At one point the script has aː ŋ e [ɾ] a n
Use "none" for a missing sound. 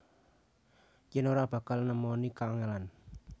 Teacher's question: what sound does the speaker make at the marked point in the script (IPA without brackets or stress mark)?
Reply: l